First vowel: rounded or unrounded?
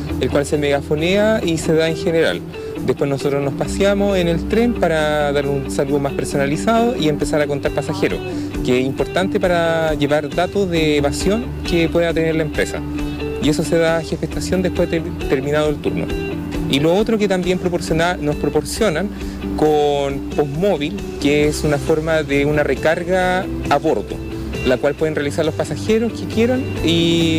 unrounded